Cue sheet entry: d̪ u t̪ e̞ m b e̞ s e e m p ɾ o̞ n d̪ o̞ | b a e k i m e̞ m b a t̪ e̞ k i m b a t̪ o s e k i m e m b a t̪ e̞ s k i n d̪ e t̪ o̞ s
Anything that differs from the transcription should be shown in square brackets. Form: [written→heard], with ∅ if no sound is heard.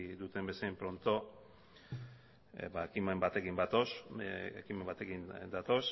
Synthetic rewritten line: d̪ u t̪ e̞ m b e̞ s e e m p ɾ o̞ n [d̪→t̪] o̞ | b a e k i m e̞ m b a t̪ e̞ k i m b a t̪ o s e k i m e m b a t̪ e̞ [s→∅] k i n d̪ [e→a] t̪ o̞ s